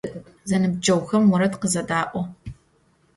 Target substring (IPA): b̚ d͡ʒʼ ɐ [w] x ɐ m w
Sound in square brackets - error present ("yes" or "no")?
no